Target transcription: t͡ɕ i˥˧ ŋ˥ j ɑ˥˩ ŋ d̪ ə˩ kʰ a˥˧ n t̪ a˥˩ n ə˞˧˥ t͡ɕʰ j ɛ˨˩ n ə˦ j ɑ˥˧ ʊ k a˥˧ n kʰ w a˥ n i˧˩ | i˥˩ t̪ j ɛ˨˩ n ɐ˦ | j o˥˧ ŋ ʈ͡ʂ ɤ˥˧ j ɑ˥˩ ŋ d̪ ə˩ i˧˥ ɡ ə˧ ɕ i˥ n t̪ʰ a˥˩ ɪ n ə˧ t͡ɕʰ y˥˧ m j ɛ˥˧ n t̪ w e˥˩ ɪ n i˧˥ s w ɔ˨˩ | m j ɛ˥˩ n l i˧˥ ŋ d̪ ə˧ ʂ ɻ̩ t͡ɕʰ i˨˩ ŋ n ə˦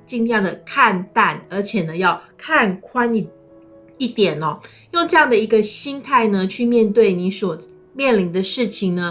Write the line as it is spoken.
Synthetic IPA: t͡ɕ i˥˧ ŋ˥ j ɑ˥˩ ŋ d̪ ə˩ kʰ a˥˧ n t̪ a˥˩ n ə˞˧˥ t͡ɕʰ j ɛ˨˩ n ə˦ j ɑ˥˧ ʊ kʰ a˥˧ n kʰ w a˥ n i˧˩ | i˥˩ t̪ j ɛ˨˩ n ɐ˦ | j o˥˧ ŋ ʈ͡ʂ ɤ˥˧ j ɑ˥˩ ŋ d̪ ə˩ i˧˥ ɡ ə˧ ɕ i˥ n t̪ʰ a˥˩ ɪ n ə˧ t͡ɕʰ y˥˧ m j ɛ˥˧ n t̪ w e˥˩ ɪ n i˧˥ s w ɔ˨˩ | m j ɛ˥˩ n l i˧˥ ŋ d̪ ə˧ ʂ ɻ̩ t͡ɕʰ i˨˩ ŋ n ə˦